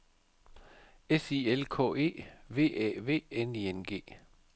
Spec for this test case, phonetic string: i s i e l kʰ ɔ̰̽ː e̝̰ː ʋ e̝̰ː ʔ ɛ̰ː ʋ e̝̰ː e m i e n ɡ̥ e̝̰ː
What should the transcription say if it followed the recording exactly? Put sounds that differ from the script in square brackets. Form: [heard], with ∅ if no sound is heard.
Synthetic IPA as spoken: [e] s i e l kʰ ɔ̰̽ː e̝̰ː ʋ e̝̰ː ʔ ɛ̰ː ʋ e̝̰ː e [n] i e n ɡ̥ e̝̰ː